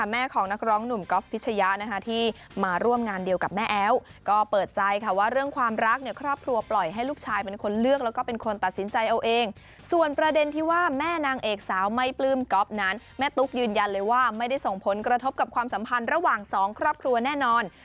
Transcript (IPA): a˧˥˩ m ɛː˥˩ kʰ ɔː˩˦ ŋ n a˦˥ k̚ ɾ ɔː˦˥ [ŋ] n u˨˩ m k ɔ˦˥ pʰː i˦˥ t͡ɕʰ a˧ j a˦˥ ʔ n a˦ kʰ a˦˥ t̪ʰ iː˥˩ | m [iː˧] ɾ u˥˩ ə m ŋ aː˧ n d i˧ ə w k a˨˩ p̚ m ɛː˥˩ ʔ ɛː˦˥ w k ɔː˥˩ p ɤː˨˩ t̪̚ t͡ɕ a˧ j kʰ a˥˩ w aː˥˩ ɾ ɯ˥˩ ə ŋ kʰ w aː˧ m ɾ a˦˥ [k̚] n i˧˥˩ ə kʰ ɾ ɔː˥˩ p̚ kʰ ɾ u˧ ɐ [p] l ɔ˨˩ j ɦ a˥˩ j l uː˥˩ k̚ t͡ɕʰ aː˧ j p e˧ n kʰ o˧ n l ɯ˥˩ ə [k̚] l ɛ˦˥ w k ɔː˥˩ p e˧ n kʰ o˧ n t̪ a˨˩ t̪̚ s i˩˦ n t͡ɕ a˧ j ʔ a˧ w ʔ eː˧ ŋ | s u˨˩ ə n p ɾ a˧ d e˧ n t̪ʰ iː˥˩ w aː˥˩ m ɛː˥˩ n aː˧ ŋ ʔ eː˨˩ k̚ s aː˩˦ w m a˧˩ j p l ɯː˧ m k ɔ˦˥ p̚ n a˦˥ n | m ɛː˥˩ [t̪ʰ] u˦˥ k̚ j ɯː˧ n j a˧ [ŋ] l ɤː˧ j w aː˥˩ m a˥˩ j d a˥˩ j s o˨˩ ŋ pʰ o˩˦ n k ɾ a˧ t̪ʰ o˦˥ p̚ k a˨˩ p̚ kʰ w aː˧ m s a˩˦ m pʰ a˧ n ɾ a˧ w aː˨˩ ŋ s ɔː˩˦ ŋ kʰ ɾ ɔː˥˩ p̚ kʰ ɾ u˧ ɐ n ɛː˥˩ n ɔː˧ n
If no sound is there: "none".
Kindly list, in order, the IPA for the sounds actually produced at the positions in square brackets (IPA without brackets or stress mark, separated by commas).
ŋ, aː˧, k̚, p, k̚, t̪, n